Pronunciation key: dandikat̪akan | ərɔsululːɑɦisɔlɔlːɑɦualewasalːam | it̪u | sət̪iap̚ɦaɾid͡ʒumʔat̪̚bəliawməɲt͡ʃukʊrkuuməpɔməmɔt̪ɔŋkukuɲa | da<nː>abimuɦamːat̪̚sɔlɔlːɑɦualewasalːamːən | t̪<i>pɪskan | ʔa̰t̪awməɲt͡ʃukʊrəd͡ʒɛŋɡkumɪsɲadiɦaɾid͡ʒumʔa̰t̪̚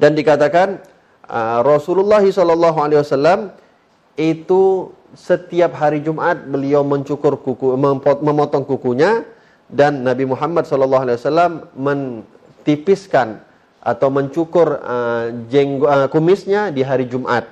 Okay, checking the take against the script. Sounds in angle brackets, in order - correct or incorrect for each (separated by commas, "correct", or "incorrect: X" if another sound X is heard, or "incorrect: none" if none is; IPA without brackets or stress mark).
correct, correct